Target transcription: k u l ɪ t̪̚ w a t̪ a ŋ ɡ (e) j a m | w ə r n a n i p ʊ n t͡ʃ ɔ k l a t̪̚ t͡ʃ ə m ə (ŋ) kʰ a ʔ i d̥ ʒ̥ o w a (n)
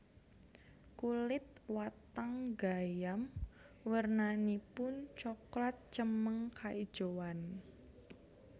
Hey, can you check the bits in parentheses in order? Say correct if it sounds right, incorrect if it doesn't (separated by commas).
incorrect, correct, correct